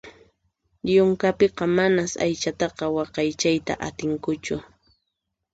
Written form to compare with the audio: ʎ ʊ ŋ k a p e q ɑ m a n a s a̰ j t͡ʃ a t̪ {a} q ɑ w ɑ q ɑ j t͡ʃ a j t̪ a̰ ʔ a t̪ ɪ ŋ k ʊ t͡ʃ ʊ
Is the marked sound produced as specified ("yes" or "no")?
no